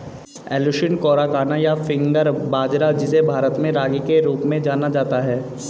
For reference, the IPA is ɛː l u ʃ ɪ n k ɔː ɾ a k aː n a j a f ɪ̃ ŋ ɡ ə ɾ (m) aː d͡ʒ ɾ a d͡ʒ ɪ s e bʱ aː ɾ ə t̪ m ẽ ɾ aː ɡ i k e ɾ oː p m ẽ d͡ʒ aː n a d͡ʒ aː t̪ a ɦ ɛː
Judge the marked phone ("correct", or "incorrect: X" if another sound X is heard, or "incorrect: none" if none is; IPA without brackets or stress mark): incorrect: b